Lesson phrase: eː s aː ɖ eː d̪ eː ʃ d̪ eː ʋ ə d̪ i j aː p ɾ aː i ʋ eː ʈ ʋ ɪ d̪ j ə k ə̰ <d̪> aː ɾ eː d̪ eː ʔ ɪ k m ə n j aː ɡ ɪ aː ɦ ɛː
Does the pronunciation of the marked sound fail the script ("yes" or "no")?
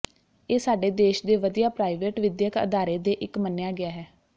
no